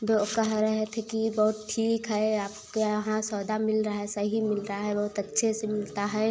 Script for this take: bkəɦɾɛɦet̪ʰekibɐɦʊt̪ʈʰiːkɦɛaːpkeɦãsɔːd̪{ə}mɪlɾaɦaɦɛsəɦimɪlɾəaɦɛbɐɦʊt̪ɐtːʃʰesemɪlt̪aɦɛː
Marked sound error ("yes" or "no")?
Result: yes